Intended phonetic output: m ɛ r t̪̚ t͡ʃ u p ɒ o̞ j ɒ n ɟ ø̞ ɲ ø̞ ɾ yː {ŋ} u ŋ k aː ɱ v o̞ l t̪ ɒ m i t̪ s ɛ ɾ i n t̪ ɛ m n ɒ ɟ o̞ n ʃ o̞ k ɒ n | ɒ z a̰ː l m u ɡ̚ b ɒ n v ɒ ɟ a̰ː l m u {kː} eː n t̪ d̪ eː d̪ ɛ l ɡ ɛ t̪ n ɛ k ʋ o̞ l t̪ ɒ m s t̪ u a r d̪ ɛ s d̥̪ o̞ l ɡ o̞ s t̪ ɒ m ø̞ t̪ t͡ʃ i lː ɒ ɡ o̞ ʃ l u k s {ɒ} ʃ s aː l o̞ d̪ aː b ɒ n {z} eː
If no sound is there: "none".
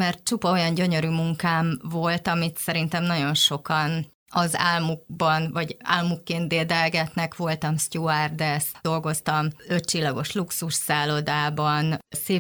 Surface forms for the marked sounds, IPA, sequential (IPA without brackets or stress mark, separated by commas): m, kː, u, s